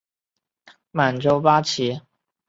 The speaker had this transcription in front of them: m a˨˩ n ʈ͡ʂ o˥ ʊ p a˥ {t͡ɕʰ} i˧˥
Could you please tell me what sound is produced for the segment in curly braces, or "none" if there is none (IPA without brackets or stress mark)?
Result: t͡ɕʰ